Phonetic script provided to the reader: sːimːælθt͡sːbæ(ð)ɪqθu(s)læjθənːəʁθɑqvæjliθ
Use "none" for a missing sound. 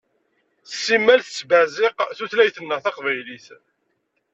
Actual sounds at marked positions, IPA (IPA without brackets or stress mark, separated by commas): z, θ